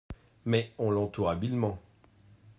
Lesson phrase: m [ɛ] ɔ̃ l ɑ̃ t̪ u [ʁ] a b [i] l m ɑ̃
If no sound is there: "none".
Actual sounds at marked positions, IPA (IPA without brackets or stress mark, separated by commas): ɛ, ʁ, i